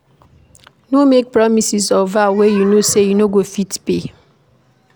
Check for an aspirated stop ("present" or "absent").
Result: absent